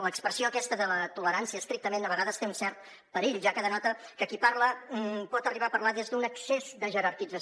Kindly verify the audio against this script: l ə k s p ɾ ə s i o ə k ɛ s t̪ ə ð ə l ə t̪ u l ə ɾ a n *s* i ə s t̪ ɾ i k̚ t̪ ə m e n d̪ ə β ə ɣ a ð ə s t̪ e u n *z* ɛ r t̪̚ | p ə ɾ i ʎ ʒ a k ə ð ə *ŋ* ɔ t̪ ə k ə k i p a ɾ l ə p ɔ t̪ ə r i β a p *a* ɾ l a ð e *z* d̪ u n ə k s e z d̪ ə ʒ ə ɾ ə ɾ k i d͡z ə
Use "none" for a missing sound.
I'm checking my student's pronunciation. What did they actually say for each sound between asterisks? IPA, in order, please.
s, s, n, ə, z

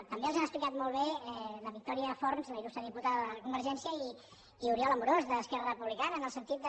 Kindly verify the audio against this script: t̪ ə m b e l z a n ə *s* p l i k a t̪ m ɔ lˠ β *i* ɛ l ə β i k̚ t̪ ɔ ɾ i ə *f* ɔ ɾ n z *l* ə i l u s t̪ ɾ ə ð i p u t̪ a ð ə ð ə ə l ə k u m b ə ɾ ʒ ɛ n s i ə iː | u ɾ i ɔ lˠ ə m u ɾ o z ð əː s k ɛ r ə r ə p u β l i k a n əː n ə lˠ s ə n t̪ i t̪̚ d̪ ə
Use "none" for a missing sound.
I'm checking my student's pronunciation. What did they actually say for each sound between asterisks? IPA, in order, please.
s, e, f, l

